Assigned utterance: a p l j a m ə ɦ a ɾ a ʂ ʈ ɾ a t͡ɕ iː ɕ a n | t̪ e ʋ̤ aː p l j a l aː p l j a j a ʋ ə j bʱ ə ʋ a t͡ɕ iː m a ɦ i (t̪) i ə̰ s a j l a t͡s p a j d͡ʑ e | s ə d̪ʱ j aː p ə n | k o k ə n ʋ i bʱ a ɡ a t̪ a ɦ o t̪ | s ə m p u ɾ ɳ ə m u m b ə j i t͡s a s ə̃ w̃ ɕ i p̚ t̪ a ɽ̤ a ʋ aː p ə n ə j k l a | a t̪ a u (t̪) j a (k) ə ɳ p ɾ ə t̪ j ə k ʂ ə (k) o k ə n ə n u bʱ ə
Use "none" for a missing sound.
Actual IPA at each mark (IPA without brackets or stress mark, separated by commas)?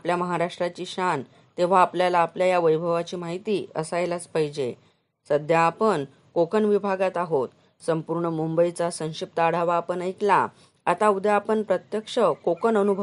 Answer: t̪, d̪, p, k